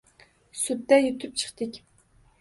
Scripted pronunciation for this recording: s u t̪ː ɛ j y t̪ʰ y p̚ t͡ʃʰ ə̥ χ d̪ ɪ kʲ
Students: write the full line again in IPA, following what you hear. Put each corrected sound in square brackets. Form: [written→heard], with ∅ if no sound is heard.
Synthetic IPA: s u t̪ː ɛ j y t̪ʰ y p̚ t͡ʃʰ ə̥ χ [d̪→t̪] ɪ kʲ